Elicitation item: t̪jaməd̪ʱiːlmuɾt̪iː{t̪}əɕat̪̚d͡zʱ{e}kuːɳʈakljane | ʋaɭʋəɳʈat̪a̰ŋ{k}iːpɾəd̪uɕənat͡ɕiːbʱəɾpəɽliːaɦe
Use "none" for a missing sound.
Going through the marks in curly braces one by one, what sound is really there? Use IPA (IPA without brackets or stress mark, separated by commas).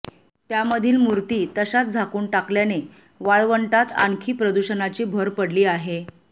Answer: t̪, a, kʰ